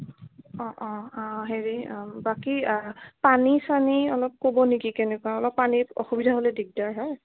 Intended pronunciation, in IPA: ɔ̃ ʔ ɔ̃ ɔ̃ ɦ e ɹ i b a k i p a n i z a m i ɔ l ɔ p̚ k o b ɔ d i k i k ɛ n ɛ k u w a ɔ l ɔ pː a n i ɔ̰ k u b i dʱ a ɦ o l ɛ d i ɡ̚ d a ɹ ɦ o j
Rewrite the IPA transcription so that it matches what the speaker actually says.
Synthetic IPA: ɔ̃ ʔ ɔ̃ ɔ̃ ɦ e ɹ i b a k i p a n i s a n i ɔ l ɔ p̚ k o b ɔ n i k i k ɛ n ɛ k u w a ɔ l ɔ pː a n i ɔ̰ x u b i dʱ a ɦ o l ɛ d i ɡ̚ d a ɹ ɦ ɔ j